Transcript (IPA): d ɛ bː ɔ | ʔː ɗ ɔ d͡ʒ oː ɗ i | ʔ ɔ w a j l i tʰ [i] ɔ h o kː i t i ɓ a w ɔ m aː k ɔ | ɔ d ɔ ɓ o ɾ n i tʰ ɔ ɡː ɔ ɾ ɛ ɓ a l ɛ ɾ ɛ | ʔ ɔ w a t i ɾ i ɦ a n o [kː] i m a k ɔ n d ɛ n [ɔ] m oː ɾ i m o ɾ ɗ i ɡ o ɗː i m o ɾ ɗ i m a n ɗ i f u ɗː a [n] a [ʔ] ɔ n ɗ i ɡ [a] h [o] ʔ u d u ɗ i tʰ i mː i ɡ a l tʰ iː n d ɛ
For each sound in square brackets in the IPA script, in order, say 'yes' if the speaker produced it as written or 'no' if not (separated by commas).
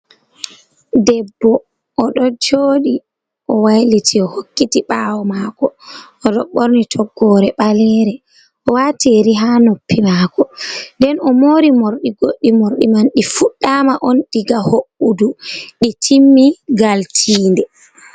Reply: yes, no, yes, no, yes, yes, yes